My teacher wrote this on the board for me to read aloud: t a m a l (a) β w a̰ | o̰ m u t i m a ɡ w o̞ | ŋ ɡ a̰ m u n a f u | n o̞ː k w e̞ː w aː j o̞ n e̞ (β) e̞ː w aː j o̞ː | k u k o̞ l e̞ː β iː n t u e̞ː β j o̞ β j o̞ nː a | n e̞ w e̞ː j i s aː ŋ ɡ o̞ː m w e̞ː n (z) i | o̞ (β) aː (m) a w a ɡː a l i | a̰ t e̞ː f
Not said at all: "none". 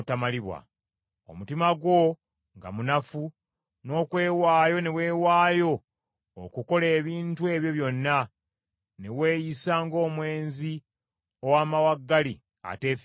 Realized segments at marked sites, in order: i, w, z, w, m

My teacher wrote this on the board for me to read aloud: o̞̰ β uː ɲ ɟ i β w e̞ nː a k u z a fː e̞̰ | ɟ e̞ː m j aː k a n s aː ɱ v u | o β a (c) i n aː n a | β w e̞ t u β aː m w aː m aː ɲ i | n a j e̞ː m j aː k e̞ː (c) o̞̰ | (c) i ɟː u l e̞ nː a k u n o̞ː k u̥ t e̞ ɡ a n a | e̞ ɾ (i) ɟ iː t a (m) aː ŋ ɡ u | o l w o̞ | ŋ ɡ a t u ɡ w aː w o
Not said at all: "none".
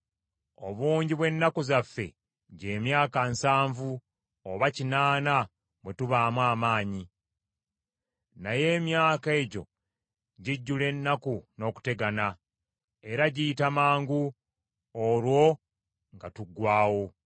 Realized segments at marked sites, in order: c, ɟ, ɟ, a, m

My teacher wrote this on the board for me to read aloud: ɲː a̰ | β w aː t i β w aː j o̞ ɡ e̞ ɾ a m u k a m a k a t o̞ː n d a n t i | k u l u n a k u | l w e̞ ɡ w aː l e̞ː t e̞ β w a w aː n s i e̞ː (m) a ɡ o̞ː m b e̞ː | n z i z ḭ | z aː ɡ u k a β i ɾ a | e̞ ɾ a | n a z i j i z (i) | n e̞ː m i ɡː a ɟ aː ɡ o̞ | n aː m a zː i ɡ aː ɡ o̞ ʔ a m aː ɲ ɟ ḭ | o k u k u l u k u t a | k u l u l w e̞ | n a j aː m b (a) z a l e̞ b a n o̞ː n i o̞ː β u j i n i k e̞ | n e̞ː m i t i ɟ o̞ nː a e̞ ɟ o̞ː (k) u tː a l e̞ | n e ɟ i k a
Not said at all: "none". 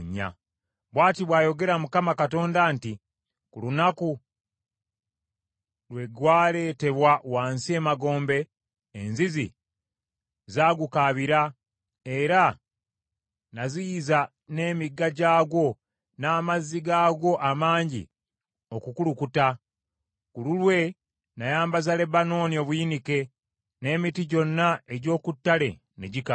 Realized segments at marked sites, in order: m, a, a, k

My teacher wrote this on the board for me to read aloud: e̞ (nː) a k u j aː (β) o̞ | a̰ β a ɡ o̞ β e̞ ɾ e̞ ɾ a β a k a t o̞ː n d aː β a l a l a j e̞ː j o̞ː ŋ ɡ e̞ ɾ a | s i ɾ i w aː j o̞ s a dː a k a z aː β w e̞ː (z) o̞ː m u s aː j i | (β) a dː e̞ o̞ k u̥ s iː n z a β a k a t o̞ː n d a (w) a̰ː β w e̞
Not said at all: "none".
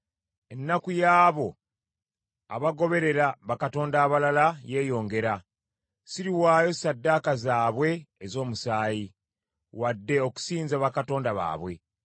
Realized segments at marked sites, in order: nː, β, z, w, β

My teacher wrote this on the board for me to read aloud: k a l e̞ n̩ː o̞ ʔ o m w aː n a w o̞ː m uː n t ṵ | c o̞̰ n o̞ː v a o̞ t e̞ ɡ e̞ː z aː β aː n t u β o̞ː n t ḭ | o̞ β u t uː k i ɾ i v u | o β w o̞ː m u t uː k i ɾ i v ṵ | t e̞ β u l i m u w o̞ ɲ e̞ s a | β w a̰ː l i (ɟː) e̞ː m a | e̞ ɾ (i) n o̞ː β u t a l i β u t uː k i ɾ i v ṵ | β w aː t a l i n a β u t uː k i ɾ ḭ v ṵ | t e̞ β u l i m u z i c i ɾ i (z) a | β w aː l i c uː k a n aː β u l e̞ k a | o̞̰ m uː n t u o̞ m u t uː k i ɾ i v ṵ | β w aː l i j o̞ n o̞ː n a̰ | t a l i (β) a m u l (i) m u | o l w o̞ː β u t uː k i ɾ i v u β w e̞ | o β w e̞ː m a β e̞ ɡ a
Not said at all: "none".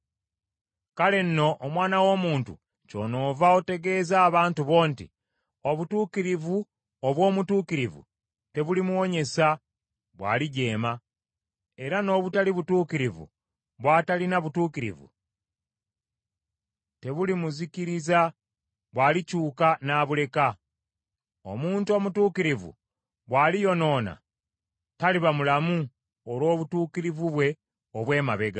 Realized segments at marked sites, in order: ɟ, a, z, β, a

